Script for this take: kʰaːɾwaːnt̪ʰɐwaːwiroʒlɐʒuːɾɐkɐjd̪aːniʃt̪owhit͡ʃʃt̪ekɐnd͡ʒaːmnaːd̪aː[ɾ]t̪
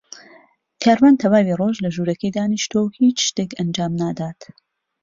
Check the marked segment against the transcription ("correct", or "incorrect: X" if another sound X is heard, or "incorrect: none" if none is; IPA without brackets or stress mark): incorrect: none